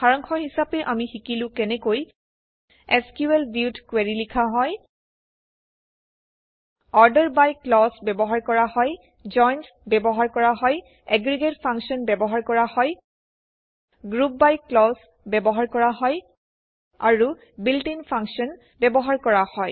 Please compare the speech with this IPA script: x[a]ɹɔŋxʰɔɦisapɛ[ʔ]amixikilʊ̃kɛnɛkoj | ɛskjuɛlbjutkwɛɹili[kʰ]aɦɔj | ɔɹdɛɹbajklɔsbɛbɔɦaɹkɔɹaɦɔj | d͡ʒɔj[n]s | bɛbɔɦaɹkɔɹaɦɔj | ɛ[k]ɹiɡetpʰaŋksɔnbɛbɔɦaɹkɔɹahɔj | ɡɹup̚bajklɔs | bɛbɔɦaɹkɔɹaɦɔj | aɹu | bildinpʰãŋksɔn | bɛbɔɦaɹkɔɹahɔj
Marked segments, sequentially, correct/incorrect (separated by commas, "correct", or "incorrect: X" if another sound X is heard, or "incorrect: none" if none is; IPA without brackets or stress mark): correct, correct, correct, correct, incorrect: ɡ